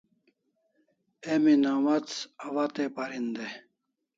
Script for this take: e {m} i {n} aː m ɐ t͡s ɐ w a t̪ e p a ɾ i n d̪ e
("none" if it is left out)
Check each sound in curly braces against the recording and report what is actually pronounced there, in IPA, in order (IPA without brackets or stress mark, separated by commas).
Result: m, n